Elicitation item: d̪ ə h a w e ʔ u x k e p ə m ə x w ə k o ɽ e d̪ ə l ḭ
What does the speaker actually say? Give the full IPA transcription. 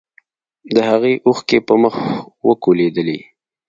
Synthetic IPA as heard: d̪ ə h a ɣ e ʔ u x k e p ə m ə x w ə k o l e d̪ ə l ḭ